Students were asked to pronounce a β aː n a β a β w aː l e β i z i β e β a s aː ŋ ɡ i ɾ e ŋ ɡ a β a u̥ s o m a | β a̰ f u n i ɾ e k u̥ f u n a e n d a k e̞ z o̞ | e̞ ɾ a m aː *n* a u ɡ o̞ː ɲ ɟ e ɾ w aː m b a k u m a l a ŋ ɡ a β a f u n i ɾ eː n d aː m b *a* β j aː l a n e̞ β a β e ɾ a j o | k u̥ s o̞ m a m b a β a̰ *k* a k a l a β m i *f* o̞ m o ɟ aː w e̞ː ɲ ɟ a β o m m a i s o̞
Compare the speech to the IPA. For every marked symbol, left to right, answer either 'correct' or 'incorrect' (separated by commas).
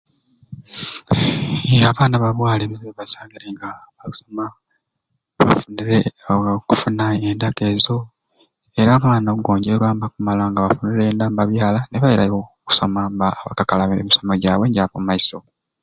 correct, correct, correct, incorrect